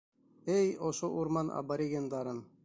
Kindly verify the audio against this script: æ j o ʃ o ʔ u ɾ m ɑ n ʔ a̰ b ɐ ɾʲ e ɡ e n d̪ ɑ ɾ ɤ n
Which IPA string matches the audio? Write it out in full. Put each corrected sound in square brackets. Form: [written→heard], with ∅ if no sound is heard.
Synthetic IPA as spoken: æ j o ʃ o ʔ u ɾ m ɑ n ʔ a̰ b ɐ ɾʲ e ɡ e n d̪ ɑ ɾ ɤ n